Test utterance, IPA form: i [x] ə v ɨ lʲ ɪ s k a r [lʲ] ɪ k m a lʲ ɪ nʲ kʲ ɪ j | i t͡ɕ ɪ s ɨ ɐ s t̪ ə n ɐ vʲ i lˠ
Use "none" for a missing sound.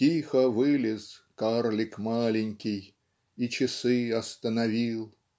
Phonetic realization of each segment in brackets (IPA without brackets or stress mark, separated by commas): x, lʲ